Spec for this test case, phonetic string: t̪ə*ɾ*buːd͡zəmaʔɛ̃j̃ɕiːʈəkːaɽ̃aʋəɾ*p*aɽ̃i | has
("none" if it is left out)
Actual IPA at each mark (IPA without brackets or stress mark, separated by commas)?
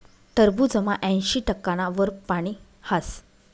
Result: ɾ, p